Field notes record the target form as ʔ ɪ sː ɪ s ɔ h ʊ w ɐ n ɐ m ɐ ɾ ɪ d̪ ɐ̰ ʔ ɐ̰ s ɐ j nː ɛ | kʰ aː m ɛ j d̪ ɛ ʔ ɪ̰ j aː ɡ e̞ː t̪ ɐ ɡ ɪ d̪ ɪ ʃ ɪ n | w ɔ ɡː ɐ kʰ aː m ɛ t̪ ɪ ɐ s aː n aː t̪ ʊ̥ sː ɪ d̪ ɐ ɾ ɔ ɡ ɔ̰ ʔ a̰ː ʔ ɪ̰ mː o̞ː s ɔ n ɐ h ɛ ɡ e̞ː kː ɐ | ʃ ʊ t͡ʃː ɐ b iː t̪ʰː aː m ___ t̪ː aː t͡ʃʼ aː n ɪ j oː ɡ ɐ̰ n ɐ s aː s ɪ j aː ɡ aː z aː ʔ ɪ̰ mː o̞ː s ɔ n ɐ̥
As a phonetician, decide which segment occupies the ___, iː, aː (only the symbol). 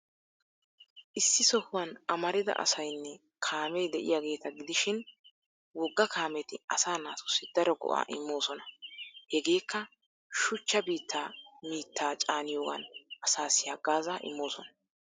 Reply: iː